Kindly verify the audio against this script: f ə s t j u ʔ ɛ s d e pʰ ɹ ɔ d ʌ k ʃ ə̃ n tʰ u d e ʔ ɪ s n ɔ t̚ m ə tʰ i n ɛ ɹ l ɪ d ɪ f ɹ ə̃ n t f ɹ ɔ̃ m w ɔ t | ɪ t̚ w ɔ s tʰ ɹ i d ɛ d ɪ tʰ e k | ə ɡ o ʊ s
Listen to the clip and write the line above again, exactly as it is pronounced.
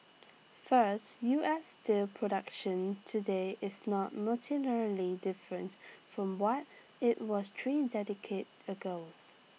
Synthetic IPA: f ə s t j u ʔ ɛ s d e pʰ ɹ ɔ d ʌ k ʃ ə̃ n tʰ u d e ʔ ɪ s n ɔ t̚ m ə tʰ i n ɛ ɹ l i d ɪ f ɹ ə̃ n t f ɹ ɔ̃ m w ɔ t | ɪ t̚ w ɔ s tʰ ɹ i d ɛ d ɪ kʰ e t | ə ɡ o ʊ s